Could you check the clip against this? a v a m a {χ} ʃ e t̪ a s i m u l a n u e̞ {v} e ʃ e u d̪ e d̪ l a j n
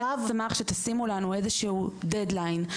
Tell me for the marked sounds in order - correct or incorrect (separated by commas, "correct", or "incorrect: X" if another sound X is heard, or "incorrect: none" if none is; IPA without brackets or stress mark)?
correct, incorrect: z